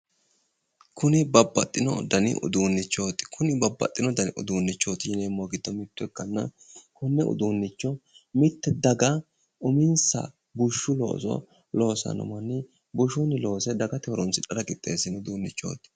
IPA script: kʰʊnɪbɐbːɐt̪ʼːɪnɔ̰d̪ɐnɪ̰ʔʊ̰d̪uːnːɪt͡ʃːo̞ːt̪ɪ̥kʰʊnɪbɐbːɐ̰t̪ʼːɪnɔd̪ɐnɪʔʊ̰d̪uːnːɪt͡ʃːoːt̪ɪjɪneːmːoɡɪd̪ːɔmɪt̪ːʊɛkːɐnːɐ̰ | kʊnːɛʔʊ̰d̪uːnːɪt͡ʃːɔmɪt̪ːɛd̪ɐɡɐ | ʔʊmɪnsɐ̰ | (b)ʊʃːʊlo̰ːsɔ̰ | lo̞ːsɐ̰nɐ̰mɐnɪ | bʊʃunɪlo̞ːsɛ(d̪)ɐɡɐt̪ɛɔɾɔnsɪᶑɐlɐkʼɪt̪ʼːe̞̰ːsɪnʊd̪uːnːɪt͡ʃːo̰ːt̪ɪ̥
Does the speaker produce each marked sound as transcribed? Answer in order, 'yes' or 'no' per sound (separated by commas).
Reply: yes, yes